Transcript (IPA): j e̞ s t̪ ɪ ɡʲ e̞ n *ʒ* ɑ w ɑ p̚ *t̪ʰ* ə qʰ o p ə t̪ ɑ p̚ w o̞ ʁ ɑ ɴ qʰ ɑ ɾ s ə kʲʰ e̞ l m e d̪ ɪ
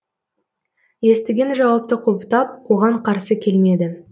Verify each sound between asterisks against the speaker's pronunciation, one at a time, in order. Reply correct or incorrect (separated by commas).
correct, incorrect